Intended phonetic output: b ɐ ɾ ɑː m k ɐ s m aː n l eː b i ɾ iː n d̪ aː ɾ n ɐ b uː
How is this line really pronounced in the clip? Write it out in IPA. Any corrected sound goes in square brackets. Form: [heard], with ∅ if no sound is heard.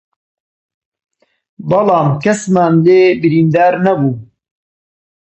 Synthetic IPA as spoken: b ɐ [l] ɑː m k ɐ s m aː n l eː b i ɾ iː n d̪ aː ɾ n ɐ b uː